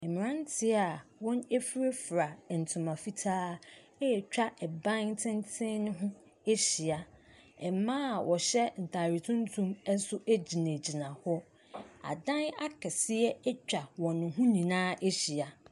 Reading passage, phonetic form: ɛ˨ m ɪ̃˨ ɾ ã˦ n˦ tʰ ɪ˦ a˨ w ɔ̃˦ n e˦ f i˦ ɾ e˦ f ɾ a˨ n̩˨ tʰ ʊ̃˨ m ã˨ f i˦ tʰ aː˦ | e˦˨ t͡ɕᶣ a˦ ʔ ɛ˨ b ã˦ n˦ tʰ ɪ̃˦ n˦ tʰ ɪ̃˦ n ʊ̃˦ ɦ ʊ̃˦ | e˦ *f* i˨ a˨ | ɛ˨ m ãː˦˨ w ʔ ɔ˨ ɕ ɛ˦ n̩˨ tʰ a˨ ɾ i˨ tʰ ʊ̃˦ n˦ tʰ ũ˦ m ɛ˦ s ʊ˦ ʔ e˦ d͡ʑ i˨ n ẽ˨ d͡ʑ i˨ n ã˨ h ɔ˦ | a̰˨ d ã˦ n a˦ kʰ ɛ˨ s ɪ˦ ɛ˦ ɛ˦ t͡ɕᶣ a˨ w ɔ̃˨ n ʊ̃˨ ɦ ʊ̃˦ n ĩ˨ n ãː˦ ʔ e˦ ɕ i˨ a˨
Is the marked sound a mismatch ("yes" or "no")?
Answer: yes